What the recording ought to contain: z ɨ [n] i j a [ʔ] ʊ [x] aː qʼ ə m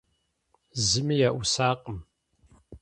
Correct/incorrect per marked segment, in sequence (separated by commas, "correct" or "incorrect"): incorrect, correct, incorrect